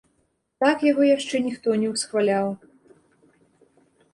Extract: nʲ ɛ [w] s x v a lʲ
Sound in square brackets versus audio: correct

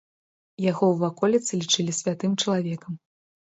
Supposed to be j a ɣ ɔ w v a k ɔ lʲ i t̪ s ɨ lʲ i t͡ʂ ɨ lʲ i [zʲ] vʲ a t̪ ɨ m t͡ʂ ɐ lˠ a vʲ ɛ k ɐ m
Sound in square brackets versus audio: incorrect: sʲ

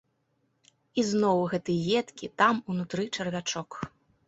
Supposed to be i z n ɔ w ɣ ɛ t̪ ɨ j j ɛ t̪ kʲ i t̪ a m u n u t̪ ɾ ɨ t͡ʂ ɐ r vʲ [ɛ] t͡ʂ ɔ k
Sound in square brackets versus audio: incorrect: a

